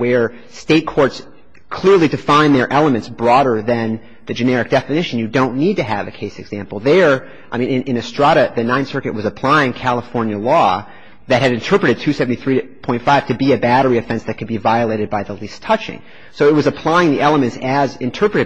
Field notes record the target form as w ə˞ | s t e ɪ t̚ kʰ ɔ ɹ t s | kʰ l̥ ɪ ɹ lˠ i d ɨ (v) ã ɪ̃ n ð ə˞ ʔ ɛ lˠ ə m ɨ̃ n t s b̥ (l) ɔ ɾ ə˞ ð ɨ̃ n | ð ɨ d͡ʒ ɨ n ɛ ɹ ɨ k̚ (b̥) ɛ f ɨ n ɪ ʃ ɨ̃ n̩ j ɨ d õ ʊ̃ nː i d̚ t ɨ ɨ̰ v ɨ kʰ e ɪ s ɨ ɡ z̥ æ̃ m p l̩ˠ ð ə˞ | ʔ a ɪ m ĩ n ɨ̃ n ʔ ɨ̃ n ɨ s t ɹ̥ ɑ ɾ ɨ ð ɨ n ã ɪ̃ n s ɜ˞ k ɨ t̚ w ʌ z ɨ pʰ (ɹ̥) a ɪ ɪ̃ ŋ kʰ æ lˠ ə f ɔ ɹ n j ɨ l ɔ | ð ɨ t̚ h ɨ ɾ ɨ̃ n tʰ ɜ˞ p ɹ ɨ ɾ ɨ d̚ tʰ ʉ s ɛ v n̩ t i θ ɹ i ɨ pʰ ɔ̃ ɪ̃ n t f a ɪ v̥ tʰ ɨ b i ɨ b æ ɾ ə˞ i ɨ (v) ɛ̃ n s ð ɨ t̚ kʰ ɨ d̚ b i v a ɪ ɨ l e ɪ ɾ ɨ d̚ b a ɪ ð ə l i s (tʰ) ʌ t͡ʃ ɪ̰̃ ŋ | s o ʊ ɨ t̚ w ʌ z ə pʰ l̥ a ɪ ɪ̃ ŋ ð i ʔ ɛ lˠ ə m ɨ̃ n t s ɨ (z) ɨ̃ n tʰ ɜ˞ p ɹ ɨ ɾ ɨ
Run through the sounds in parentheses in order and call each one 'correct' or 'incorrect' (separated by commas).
incorrect, incorrect, incorrect, incorrect, incorrect, correct, correct